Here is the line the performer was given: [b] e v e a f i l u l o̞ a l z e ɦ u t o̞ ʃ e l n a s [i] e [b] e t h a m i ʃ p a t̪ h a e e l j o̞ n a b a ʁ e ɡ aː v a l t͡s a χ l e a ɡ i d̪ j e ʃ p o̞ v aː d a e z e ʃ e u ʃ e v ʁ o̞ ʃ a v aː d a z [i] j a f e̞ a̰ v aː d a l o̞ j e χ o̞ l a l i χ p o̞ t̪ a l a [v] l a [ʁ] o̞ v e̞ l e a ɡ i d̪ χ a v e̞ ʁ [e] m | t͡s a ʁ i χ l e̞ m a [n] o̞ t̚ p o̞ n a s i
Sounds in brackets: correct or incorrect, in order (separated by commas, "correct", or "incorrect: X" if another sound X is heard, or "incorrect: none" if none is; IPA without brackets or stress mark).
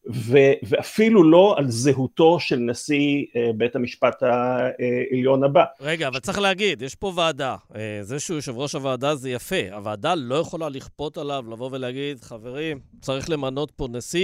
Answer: incorrect: v, correct, correct, incorrect: e, correct, incorrect: v, incorrect: i, correct